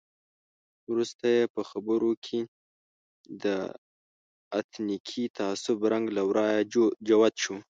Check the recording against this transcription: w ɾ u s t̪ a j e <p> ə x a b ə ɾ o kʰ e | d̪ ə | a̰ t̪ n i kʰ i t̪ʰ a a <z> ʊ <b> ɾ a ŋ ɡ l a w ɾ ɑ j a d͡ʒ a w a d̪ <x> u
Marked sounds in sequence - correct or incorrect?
correct, incorrect, correct, incorrect

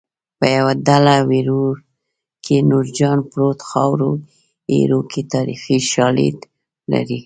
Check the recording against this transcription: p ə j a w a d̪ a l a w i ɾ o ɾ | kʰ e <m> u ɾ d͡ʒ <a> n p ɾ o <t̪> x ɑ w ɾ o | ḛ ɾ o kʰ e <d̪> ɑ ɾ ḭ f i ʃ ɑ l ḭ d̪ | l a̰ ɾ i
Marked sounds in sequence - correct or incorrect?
incorrect, incorrect, correct, incorrect

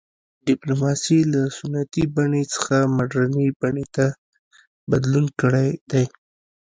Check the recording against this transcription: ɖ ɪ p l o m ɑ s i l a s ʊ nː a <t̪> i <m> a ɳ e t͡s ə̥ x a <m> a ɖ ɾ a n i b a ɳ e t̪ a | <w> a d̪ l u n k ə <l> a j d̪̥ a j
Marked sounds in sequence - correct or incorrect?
correct, incorrect, correct, incorrect, incorrect

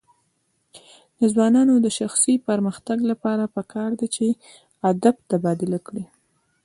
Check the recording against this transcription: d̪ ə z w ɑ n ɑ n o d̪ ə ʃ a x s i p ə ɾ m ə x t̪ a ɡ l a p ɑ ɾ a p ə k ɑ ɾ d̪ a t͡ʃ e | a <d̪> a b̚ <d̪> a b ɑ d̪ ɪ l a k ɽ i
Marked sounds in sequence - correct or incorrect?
correct, incorrect

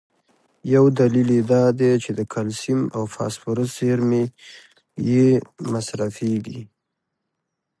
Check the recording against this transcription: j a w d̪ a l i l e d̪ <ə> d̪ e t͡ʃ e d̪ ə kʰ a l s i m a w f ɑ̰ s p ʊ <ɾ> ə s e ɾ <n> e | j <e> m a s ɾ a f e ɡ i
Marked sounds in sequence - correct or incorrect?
incorrect, correct, incorrect, correct

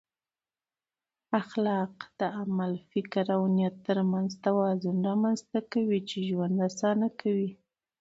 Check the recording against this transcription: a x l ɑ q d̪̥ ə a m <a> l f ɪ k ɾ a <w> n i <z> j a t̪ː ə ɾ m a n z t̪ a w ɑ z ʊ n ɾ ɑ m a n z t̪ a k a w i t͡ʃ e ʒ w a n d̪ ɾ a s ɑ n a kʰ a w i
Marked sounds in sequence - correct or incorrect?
correct, correct, incorrect

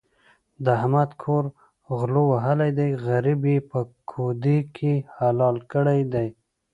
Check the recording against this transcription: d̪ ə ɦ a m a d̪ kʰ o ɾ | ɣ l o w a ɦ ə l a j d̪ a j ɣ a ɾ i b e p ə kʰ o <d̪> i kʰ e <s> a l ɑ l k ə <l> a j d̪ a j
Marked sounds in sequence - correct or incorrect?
correct, incorrect, incorrect

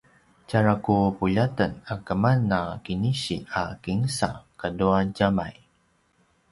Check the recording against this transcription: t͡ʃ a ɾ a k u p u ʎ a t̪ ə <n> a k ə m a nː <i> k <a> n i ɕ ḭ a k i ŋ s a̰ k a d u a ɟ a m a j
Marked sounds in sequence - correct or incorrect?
correct, incorrect, incorrect

